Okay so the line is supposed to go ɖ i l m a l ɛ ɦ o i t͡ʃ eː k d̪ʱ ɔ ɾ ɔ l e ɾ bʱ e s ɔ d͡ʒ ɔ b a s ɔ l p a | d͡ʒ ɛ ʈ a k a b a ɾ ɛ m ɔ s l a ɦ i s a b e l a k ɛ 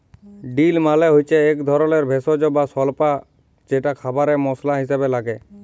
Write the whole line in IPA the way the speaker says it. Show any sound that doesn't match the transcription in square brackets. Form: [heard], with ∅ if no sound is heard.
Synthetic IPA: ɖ i l m a l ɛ ɦ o [j] t͡ʃ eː k d̪ʱ ɔ ɾ ɔ l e ɾ bʱ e s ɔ d͡ʒ ɔ b a s ɔ l p a | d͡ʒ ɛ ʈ a [kʰ] a b a ɾ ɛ m ɔ s l a ɦ i s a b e l a [ɡ] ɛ